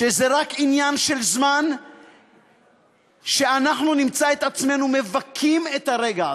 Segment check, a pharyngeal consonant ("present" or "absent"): absent